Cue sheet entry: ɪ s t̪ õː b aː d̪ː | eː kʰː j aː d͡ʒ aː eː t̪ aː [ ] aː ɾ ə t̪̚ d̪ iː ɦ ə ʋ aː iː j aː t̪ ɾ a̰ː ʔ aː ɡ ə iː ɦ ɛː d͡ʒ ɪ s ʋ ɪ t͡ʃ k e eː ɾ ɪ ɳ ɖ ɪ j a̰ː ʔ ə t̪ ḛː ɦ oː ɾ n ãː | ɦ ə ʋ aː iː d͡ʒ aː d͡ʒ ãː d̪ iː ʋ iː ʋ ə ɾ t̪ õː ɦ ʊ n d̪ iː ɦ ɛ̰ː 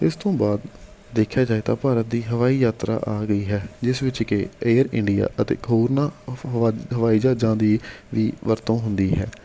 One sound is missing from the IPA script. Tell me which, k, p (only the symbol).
p